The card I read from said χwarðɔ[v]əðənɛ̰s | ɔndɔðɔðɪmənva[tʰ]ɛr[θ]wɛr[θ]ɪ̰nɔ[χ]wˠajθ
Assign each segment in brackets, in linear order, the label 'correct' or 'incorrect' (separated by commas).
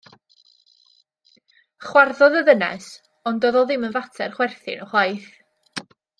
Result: incorrect, correct, incorrect, correct, correct